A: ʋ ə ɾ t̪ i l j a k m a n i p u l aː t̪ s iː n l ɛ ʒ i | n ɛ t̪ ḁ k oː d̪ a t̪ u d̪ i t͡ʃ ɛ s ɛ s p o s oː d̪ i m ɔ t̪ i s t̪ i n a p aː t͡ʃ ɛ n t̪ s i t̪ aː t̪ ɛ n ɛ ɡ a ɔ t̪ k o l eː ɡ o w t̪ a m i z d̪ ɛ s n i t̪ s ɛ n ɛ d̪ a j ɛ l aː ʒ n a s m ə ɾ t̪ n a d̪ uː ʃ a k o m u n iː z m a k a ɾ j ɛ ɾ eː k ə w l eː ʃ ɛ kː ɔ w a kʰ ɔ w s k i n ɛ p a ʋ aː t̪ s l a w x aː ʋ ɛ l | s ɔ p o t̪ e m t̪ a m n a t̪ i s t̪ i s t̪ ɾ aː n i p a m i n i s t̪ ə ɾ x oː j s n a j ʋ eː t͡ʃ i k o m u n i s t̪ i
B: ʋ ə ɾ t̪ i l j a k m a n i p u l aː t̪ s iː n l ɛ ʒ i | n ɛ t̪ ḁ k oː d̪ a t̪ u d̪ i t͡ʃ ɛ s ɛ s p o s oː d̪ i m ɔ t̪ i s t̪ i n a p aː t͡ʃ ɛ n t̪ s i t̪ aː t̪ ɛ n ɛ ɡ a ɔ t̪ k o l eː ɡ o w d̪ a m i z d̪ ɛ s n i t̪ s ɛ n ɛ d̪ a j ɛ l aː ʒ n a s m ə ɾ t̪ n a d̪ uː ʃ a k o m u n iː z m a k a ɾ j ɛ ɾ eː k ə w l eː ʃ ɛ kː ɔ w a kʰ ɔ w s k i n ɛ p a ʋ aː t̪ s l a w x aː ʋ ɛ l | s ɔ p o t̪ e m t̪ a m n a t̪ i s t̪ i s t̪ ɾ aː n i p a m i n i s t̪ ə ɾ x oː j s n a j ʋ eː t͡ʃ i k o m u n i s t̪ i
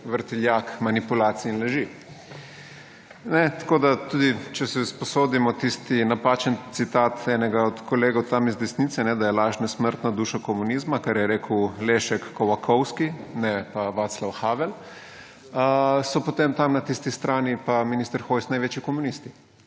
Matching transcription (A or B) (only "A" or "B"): A